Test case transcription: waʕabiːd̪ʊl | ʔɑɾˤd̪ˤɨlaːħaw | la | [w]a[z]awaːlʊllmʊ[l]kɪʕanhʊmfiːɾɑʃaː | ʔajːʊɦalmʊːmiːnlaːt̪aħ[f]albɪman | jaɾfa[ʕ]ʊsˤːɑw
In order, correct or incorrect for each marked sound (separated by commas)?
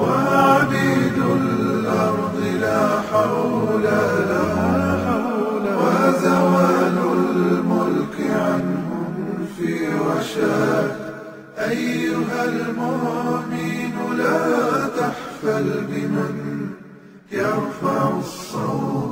correct, correct, correct, correct, correct